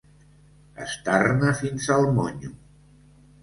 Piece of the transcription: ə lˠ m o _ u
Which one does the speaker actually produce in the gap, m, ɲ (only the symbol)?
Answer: ɲ